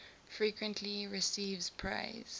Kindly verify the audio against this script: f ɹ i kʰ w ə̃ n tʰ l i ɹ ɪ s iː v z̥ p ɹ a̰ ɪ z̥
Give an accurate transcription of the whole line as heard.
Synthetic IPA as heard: f ɹ i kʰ w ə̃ n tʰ l i ɹ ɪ s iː v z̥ pʰ ɹ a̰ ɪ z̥